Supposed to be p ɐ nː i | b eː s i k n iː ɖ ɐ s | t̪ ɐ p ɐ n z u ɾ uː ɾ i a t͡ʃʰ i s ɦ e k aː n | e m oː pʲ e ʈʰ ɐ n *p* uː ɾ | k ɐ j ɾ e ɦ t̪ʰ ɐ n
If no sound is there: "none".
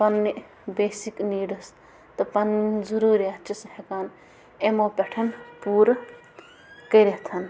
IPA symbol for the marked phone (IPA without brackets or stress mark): p